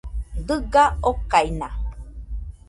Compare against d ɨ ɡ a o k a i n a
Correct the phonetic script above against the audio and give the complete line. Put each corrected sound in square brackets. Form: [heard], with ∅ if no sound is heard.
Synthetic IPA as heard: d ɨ ɡ a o k a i n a